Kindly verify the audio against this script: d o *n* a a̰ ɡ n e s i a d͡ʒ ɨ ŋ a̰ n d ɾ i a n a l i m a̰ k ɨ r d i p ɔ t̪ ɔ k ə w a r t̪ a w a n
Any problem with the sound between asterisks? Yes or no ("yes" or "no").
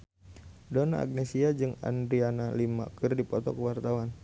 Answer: no